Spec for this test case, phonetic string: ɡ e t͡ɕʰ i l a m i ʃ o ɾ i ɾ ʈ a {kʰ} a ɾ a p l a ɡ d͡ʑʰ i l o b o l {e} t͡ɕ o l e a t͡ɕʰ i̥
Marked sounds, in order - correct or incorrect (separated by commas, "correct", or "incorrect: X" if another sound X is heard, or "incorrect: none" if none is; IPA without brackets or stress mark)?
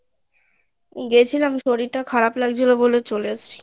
correct, correct